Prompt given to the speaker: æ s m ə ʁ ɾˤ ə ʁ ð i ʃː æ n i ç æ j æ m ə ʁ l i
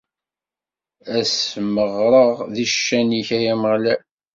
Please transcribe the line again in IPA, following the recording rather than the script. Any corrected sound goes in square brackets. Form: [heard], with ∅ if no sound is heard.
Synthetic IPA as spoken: æ s m ə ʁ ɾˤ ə ʁ ð i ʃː æ n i ç æ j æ m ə ʁ l [æ]